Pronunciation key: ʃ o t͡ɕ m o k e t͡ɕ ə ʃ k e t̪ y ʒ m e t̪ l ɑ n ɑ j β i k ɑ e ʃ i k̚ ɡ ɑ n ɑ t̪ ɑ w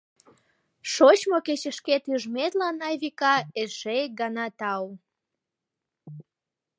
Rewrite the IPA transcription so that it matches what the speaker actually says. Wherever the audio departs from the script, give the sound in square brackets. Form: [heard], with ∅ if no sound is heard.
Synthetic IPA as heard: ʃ o t͡ɕ m o k e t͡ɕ ə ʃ k e t̪ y ʒ m e t̪ l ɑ n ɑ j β i k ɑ e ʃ [e] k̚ ɡ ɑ n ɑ t̪ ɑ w